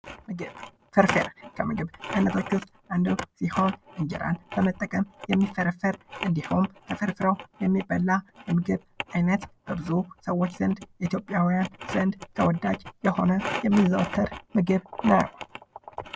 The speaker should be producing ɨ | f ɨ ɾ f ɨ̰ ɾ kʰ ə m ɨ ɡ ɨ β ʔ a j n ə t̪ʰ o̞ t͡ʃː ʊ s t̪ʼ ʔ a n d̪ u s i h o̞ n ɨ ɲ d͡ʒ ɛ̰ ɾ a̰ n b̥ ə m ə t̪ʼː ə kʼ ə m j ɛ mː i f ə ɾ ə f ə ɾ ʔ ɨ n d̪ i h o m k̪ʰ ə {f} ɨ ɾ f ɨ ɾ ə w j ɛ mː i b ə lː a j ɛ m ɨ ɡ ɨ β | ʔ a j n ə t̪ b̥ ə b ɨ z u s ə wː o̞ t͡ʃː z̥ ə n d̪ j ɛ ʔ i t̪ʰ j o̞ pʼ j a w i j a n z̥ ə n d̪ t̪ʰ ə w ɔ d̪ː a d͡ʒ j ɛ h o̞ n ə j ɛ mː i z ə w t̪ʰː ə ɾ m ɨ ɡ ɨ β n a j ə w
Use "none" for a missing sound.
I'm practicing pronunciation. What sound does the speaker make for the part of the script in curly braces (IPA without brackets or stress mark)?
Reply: f